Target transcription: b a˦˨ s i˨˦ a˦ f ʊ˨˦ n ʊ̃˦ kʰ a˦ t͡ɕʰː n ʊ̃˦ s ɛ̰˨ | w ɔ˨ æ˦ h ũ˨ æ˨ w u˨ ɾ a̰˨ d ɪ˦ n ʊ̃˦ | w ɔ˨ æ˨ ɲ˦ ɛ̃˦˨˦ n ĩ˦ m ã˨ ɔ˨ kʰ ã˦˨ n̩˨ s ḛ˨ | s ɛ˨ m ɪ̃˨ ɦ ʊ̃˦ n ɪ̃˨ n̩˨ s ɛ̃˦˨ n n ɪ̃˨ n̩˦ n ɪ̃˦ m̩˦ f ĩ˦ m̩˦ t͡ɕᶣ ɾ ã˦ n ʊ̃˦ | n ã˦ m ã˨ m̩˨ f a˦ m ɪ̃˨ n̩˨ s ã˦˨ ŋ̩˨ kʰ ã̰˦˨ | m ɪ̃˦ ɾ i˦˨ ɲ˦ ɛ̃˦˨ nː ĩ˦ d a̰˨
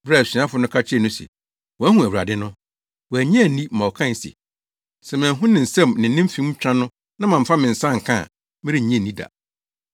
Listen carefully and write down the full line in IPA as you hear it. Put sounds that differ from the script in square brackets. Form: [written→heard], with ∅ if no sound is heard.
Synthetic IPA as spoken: b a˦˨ s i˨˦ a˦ f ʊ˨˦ n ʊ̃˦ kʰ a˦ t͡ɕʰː n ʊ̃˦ s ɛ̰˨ | w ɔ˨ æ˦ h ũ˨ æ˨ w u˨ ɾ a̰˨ d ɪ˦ n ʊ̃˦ | w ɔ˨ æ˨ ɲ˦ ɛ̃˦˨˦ n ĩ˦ m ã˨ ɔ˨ kʰ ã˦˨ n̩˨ s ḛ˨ | s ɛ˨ m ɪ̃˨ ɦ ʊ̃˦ n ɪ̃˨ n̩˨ s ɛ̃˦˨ [n→m] n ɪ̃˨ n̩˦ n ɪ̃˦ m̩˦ f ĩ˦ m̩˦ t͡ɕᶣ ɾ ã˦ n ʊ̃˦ | n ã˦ m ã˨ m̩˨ f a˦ m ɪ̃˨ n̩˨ s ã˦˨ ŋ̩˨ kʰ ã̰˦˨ | m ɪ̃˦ ɾ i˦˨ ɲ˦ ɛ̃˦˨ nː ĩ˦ d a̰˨